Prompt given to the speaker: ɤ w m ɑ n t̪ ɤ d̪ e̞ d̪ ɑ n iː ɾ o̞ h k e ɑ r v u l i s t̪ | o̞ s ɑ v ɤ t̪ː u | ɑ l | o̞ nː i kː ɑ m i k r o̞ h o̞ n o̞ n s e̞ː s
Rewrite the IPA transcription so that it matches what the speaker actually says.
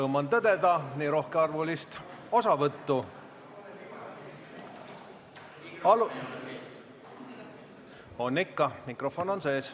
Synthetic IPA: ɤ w m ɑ n t̪ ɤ d̪ e̞ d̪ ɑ n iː ɾ o̞ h k e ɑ r v u l i s t̪ | o̞ s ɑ v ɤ t̪ː u | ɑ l | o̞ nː i kː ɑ m i k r o̞ f o̞ n o̞ n s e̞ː s